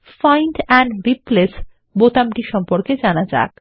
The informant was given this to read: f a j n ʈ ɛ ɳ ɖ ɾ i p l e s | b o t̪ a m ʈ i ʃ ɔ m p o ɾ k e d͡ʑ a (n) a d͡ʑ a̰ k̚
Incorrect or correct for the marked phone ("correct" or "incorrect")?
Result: correct